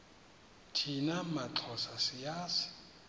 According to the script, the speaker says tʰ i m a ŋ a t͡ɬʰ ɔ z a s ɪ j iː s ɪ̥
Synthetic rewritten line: tʰ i n a m a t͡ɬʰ ɔ s a s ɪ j aː s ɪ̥